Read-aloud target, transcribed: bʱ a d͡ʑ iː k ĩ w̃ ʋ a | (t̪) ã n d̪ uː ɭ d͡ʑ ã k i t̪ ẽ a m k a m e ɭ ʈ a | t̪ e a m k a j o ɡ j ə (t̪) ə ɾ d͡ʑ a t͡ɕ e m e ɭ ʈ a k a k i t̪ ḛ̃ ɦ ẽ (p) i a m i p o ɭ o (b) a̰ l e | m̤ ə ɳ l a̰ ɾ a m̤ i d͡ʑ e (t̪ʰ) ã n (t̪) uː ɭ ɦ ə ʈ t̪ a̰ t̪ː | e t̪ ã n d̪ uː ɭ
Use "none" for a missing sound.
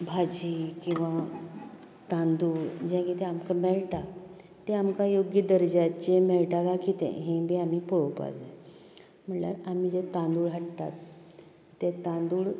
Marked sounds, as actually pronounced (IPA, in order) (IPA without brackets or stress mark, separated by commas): t̪, d̪, b, p, t̪, d̪